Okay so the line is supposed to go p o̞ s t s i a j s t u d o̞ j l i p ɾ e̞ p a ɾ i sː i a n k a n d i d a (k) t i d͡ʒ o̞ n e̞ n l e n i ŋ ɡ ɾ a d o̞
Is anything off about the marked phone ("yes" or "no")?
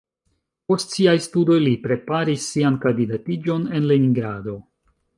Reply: yes